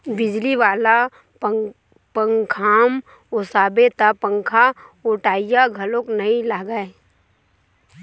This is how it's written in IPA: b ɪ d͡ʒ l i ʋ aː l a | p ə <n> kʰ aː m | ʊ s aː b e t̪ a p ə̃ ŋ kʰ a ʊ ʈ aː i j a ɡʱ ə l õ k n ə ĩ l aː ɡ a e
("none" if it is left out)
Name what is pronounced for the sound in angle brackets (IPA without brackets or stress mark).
ŋ